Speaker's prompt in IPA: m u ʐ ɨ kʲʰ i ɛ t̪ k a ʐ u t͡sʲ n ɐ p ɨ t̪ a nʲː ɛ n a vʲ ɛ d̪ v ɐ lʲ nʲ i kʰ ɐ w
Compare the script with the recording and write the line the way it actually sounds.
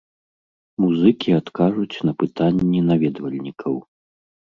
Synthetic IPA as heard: m u z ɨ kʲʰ i a t̪ k a ʐ u t͡sʲ n ɐ p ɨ t̪ a nʲː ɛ n a vʲ ɛ d̪ v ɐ lʲ nʲ i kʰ ɐ w